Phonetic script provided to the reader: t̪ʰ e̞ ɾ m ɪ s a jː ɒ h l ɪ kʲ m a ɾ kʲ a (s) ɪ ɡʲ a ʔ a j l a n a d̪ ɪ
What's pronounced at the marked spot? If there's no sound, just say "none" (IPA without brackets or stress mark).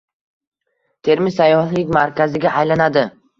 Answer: z